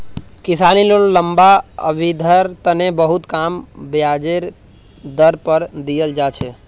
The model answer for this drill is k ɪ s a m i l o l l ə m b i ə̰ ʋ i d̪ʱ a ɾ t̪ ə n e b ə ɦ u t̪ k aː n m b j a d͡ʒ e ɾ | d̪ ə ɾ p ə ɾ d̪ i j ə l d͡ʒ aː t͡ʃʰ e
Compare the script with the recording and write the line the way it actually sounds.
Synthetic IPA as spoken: k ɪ s a n i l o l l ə m b a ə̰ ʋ i d̪ʱ ə ɾ t̪ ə n e b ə ɦ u t̪ k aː m b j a d͡ʒ e ɾ | d̪ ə ɾ p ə ɾ d̪ i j ə l d͡ʒ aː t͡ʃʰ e